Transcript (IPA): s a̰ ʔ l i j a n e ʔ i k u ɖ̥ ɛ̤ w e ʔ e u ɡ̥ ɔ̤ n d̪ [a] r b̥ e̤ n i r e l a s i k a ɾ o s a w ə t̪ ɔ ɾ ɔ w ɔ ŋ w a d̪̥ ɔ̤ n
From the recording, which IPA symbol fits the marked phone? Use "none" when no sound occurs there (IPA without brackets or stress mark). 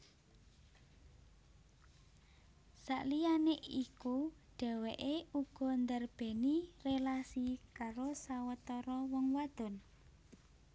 ə